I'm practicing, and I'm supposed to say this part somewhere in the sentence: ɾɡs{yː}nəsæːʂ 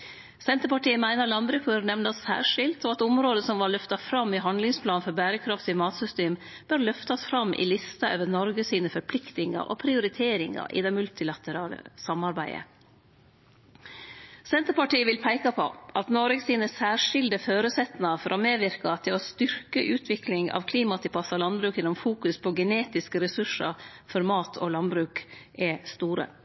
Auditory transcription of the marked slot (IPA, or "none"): iː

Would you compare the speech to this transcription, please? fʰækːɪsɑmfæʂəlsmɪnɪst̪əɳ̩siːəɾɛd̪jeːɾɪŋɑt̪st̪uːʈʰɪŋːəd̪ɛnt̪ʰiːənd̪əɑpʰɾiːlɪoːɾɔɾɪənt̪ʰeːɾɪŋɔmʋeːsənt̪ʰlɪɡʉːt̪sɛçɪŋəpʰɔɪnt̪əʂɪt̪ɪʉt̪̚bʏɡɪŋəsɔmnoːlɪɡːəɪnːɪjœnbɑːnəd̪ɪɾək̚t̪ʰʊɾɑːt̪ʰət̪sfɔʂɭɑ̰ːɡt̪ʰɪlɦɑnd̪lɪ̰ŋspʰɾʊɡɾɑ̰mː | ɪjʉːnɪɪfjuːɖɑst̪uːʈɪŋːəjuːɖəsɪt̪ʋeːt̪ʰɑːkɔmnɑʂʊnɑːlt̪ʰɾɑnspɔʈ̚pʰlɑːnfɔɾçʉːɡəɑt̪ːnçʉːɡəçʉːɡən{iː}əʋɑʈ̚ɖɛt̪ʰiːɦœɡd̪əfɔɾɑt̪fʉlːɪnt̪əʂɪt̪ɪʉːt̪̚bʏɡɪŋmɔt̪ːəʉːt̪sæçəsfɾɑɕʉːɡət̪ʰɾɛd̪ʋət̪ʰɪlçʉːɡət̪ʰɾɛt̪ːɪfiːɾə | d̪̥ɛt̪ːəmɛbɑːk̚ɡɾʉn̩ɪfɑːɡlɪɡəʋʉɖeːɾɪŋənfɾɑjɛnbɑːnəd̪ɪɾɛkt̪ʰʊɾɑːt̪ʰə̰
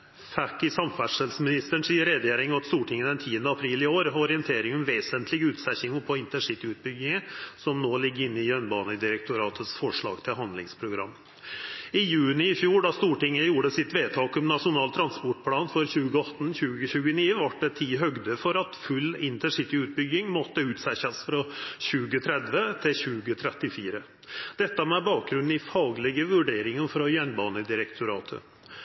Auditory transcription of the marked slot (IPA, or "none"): iː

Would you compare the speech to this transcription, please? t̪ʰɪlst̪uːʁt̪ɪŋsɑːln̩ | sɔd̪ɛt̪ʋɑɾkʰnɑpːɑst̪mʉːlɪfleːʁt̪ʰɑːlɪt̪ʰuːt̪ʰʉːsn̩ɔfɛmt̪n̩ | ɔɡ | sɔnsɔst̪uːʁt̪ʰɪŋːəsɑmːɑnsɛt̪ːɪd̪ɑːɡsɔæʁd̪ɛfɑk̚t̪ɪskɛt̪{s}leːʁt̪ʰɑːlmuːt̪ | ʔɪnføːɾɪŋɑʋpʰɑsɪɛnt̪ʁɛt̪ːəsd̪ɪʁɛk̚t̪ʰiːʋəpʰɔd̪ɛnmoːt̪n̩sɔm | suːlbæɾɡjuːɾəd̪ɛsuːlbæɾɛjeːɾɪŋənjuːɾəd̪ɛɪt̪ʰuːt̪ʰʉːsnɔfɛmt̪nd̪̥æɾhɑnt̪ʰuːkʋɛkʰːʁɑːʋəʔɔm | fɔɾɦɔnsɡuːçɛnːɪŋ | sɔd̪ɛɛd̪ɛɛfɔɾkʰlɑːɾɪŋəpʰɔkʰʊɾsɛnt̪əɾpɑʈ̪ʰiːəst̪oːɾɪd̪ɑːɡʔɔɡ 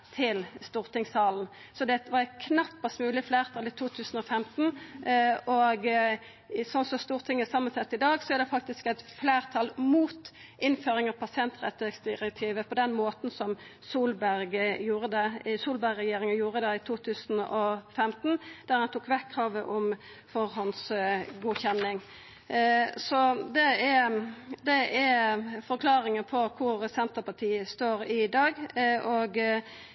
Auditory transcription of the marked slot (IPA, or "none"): f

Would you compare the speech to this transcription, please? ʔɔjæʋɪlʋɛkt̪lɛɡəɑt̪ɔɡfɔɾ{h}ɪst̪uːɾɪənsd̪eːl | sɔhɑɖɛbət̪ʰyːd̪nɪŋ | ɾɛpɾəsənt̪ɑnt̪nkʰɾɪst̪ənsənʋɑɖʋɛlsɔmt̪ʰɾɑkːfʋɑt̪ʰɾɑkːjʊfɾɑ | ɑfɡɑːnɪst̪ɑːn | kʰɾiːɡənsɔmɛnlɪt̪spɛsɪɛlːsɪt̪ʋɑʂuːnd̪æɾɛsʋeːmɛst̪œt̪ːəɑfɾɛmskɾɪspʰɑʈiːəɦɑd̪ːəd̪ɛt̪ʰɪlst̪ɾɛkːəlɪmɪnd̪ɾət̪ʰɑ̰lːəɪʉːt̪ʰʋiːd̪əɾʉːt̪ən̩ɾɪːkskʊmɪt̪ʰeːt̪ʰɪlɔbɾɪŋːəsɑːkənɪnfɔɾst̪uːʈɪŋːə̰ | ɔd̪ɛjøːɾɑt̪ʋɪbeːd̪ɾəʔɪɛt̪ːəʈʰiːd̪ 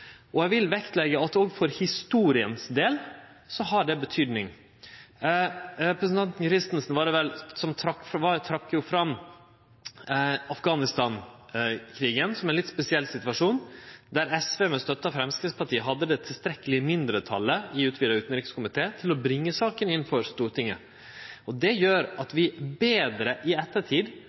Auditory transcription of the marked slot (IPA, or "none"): h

